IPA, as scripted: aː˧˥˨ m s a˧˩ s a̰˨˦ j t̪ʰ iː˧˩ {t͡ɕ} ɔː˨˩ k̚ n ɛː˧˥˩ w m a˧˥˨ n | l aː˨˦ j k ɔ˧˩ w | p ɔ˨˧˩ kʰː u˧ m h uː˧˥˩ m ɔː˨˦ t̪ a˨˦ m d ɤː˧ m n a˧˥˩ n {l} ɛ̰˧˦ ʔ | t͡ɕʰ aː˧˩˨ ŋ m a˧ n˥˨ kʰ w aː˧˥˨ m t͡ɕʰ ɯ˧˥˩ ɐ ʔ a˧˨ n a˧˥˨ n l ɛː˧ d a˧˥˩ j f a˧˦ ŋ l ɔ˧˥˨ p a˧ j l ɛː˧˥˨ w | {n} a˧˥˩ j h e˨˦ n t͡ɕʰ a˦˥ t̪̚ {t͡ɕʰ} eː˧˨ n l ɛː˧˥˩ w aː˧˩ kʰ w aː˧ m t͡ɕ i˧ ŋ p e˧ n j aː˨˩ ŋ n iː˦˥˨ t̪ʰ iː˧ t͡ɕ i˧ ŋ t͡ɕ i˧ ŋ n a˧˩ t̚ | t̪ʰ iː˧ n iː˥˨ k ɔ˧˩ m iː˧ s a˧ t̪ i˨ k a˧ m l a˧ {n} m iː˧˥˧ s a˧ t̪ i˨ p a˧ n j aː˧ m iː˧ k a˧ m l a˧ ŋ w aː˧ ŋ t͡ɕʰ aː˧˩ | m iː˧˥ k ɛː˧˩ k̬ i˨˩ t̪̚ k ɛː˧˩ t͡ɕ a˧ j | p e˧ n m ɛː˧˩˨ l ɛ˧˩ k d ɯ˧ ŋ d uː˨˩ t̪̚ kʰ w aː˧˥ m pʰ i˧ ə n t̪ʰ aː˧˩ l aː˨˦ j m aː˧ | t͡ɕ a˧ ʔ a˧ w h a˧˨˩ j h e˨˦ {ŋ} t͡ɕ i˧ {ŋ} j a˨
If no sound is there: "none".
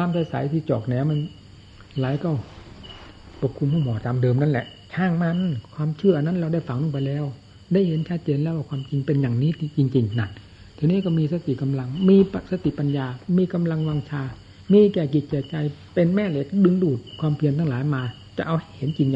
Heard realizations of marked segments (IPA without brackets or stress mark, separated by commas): t͡ɕ, l, d, t͡ɕ, ŋ, n, ŋ